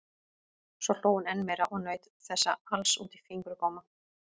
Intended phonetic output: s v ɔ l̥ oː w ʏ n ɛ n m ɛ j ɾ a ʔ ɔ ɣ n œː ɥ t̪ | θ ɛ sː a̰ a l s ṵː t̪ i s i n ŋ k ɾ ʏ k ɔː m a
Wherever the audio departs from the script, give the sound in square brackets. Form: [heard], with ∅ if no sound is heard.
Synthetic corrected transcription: s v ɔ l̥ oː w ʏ n ɛ n m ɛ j ɾ a ʔ ɔ ɣ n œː ɥ t̪ | θ ɛ sː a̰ a l s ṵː t̪ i [f] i [∅] ŋ k ɾ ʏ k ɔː m a